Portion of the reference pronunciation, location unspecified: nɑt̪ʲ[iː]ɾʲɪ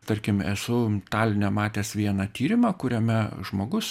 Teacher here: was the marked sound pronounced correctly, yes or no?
yes